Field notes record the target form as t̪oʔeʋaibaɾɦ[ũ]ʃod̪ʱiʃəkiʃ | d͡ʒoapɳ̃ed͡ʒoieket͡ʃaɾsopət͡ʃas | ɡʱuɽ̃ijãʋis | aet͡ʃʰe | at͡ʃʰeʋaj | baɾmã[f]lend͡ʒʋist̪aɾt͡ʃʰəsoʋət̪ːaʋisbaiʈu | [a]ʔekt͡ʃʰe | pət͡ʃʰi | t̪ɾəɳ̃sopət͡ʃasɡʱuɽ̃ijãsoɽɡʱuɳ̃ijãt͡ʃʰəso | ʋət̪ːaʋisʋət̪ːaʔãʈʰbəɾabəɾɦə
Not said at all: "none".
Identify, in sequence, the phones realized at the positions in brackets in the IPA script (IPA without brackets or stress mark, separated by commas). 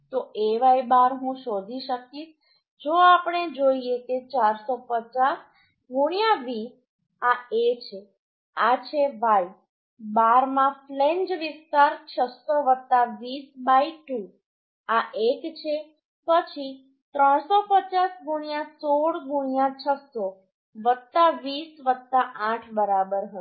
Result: ũ, f, a